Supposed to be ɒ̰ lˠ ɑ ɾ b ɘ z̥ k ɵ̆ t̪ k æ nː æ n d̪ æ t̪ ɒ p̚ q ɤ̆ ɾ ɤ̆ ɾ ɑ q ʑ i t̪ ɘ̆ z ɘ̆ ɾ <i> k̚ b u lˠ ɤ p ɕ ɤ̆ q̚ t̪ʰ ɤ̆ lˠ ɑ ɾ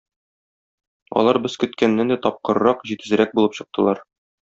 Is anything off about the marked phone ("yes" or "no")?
yes